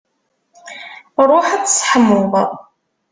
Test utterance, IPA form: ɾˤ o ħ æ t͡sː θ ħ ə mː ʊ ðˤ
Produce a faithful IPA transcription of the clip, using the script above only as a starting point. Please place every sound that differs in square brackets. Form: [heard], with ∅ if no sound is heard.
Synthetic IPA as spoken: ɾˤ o ħ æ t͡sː [s] ħ ə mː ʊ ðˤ